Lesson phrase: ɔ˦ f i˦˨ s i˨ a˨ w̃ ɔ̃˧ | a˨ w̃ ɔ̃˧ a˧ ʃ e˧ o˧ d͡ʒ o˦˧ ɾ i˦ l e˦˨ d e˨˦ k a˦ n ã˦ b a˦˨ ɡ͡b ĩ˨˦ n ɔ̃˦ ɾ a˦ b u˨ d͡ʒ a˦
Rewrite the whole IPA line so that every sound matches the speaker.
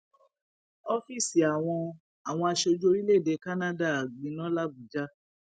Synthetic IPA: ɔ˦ f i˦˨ s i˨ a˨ w̃ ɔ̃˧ | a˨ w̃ ɔ̃˧ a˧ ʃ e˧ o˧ d͡ʒ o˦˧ ɾ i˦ l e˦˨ d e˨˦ k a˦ n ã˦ d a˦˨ ɡ͡b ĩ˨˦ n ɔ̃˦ l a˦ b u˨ d͡ʒ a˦

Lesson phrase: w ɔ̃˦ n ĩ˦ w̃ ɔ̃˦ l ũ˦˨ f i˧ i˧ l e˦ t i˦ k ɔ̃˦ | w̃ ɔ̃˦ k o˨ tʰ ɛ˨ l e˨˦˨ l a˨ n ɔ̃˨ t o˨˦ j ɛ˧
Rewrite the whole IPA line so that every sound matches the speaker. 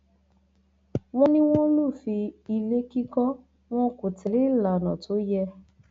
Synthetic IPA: w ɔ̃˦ n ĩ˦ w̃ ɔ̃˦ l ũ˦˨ f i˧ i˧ l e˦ k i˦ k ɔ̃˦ | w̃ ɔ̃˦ k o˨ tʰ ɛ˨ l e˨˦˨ l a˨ n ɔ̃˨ t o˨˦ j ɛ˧

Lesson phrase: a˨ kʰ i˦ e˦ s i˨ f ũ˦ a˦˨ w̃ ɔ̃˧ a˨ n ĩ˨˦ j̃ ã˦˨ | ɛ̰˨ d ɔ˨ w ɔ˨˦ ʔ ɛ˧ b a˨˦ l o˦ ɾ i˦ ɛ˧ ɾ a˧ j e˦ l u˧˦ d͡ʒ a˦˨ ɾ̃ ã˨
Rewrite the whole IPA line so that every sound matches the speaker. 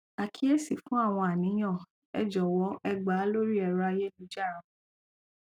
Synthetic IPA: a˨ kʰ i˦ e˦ s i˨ f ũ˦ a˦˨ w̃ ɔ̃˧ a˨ n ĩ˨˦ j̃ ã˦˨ | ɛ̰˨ d͡ʒ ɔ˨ w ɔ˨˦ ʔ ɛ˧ ɡ͡b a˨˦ l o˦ ɾ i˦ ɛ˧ ɾ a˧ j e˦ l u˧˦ d͡ʒ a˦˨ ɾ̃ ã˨

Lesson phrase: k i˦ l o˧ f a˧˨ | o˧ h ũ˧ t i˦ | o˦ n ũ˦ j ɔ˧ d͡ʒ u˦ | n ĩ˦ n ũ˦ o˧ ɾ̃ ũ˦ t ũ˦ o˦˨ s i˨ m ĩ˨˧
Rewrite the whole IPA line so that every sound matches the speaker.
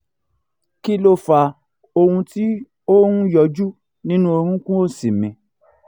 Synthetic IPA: k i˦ l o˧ f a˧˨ | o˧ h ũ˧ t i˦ | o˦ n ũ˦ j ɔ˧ d͡ʒ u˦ | n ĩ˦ n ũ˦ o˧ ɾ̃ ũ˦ k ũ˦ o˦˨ s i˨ m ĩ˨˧

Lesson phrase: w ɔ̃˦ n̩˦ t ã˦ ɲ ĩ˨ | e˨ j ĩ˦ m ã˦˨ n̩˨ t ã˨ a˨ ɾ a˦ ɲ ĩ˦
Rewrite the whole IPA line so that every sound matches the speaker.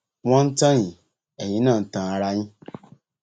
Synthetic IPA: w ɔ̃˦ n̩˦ t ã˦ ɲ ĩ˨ | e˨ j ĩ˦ n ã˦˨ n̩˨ t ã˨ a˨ ɾ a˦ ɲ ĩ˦

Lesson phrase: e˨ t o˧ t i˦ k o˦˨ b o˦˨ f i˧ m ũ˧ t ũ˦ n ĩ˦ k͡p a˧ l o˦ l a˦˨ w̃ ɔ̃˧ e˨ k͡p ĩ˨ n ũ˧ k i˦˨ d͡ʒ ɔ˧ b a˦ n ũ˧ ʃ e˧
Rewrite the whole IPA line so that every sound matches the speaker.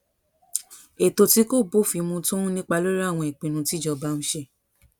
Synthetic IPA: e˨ t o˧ t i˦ k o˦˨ b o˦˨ f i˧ m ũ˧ t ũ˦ n ĩ˦ k͡p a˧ l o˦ ɾ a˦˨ w̃ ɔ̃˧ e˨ k͡p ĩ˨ n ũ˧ t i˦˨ d͡ʒ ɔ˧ b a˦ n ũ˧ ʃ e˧

